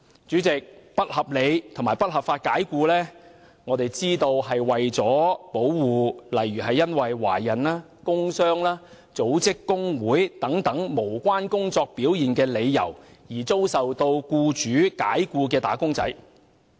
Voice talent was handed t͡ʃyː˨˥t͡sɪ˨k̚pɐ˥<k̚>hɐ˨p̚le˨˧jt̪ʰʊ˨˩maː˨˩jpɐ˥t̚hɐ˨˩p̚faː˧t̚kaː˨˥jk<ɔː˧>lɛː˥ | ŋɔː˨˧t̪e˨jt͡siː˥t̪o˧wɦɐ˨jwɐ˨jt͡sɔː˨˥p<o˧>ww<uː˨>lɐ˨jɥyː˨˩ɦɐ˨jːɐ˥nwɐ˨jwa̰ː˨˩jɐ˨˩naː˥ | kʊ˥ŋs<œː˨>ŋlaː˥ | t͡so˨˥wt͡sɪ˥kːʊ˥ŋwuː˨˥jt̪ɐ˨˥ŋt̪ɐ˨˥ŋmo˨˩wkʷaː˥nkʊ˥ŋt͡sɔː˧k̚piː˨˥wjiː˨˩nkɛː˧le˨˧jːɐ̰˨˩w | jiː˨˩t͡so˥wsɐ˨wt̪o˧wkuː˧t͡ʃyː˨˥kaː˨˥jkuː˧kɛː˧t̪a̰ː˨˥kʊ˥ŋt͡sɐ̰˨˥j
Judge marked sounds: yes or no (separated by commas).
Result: no, no, no, yes, no